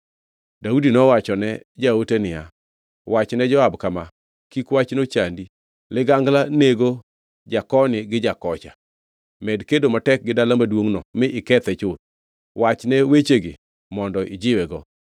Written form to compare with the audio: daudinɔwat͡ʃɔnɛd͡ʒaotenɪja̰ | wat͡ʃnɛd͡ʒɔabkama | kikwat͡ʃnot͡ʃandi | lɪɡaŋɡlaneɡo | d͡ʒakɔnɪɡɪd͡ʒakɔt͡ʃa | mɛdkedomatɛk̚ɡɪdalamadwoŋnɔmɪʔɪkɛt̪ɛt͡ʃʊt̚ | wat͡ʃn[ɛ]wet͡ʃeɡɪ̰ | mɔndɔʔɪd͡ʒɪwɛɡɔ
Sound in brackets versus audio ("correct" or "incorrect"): correct